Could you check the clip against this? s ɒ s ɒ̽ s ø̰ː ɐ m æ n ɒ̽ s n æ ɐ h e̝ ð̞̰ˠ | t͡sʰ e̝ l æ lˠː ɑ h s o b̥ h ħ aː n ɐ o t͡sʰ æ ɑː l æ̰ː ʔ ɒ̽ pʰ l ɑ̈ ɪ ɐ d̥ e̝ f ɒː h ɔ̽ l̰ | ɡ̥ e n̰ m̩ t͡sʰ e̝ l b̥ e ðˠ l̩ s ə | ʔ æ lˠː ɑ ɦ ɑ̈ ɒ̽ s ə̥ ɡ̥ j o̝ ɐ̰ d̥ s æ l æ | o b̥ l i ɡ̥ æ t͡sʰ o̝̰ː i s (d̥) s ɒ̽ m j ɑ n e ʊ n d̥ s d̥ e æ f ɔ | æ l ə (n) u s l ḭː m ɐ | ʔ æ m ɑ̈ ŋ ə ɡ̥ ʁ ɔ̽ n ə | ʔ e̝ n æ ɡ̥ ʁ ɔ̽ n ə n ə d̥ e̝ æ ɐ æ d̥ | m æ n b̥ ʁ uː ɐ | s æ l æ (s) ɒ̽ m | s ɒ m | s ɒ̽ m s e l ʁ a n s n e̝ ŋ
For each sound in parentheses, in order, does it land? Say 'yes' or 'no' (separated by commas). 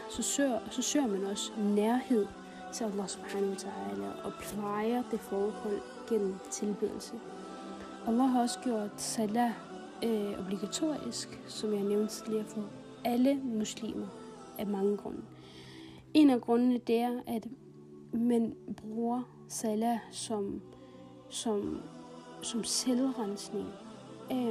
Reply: no, no, yes